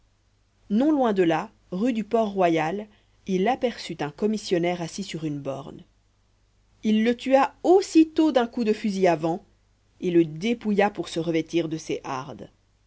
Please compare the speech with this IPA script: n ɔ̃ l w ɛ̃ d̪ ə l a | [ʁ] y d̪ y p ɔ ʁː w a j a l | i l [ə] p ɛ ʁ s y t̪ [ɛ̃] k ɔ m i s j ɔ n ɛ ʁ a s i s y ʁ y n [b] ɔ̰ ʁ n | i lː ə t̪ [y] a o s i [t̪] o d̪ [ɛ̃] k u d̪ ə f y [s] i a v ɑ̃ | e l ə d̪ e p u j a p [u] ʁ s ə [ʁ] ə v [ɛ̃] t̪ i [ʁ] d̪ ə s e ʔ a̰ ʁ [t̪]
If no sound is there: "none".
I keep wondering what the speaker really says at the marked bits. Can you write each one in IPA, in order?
ʁ, a, ɛ̃, b, y, t̪, ɛ̃, z, u, ʁ, ɛ, ʁ, d̪

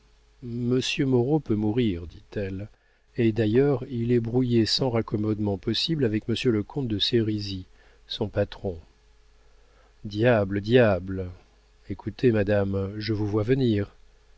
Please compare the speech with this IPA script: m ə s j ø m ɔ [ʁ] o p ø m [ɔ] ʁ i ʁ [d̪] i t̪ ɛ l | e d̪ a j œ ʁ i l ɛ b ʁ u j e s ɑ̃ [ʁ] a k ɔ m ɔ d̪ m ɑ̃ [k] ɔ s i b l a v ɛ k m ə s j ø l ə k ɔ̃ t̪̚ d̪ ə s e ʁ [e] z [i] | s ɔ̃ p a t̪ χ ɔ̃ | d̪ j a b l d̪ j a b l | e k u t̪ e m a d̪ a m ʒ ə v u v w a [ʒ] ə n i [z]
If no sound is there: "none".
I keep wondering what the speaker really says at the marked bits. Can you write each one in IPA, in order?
ʁ, u, d̪, ʁ, p, i, i, v, ʁ

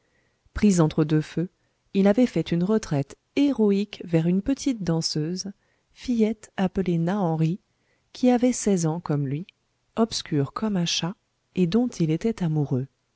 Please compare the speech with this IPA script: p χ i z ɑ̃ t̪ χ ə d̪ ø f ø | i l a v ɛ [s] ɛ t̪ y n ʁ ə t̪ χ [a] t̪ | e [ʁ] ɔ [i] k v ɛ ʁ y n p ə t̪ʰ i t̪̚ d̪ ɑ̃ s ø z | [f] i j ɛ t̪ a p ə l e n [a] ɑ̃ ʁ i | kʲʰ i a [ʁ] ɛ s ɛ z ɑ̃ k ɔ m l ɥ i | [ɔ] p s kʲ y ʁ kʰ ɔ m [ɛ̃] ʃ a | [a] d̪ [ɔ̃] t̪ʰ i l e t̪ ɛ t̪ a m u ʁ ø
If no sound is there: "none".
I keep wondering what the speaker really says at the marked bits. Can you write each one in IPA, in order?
f, ɛ, ʁ, i, f, a, v, ɔ, ɛ̃, e, ɔ̃

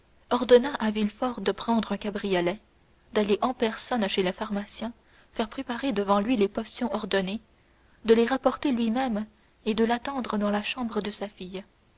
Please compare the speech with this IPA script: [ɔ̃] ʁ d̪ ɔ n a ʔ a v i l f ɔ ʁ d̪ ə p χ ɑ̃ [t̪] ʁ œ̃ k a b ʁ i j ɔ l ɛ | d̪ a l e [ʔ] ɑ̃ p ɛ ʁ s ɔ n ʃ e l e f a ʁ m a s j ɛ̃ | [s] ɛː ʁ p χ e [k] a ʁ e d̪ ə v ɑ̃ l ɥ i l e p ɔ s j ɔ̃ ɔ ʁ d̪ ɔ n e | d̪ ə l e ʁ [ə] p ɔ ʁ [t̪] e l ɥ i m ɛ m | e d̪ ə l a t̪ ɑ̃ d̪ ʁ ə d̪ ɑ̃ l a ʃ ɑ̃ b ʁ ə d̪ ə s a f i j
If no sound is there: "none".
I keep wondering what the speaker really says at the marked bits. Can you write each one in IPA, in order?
ɔ, d̪, ʔ, f, p, a, t̪

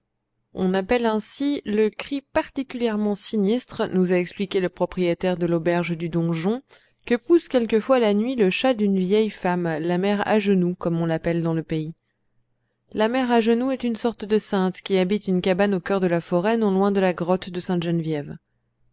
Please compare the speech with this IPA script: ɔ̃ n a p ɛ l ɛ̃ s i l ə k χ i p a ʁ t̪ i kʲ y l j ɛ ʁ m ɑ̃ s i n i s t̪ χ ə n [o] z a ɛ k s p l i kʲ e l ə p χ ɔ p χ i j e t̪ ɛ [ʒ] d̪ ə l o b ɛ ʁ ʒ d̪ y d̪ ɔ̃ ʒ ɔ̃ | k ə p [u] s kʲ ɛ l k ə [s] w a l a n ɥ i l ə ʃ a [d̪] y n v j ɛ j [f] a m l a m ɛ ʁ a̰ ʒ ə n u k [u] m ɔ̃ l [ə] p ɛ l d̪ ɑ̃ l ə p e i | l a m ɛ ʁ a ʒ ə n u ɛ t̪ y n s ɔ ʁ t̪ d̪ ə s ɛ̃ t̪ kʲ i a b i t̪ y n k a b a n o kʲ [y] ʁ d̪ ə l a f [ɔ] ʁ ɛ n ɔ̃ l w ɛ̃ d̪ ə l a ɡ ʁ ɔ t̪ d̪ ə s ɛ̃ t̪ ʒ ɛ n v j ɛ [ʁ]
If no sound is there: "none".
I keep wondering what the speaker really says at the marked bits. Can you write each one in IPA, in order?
u, ʁ, u, f, d̪, f, ɔ, a, œ, ɔ, v

